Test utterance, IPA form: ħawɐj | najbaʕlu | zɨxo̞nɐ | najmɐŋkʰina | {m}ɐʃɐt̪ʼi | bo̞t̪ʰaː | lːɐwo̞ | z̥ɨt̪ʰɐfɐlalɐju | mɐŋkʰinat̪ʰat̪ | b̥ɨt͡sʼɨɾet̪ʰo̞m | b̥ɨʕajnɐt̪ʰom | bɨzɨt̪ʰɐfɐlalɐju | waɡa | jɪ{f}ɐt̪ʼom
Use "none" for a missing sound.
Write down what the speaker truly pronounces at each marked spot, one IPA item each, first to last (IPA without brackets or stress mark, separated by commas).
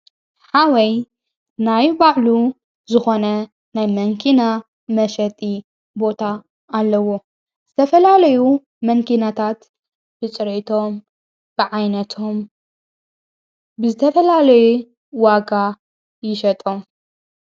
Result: m, ʃ